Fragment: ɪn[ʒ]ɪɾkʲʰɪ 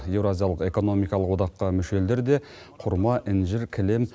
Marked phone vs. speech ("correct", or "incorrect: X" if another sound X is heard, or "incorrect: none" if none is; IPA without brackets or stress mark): correct